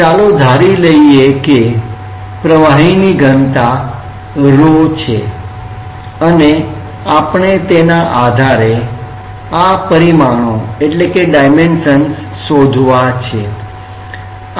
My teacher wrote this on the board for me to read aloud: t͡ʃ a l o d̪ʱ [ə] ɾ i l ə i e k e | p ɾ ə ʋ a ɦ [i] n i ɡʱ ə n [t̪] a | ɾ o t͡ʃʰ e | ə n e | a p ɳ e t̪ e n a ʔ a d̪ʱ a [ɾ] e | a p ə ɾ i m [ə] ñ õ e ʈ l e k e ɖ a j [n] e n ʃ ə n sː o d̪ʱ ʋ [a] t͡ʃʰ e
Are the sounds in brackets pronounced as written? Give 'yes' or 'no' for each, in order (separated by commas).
no, yes, yes, yes, no, no, yes